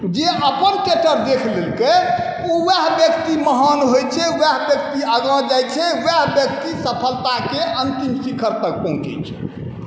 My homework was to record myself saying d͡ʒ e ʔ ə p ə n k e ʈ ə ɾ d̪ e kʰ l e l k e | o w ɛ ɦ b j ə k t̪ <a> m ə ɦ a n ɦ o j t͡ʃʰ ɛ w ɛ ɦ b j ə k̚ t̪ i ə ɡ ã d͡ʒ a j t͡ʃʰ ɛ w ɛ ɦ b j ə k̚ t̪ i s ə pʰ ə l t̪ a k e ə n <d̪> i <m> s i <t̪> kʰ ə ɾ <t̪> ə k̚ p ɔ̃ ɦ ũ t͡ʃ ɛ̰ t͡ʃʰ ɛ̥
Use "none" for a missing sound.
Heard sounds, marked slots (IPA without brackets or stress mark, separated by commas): i, t̪, m, none, t̪